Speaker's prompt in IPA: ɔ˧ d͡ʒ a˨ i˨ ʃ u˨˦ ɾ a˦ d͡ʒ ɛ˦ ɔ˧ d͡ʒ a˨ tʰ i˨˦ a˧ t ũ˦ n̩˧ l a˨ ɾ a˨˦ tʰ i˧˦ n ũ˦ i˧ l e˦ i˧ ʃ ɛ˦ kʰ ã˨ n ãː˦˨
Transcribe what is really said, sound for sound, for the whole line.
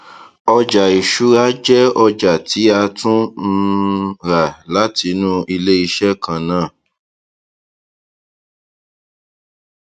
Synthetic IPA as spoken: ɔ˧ d͡ʒ a˨ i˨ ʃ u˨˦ ɾ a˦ d͡ʒ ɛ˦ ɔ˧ d͡ʒ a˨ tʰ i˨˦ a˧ t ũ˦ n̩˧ ɾ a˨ l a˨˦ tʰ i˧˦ n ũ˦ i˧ l e˦ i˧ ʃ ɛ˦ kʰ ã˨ n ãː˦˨